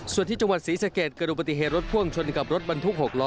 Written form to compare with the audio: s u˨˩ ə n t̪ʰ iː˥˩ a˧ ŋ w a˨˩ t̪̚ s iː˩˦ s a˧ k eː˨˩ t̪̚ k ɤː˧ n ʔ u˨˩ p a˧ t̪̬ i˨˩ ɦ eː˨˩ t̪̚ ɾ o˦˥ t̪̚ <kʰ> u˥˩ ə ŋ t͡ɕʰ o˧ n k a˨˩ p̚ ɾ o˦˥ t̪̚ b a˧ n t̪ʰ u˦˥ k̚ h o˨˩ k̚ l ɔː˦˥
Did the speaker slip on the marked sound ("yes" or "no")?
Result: yes